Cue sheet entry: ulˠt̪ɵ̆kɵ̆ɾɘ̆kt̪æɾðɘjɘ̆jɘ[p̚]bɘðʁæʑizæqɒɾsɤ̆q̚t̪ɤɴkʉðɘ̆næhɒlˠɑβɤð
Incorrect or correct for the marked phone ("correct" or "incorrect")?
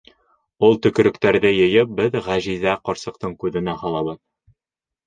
correct